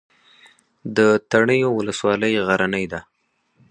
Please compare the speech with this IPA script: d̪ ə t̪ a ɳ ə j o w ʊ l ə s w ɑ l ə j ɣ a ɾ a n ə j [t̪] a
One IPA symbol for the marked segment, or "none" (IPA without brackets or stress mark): d̪